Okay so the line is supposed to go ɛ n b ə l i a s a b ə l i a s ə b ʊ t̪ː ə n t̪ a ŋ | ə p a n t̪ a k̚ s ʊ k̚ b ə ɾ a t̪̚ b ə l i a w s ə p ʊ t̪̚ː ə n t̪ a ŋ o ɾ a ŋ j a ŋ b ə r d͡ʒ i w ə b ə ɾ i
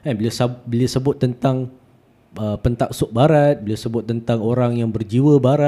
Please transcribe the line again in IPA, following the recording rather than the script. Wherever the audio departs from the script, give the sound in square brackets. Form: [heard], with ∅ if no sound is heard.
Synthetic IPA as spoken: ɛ n b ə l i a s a b ə l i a s ə b ʊ t̪ː ə n t̪ a ŋ | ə p [ə] n t̪ a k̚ s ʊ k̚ b [a] ɾ a t̪̚ b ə l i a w s ə [b] ʊ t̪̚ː ə n t̪ a ŋ o ɾ a ŋ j a ŋ b ə r d͡ʒ i w ə b [a] ɾ [a]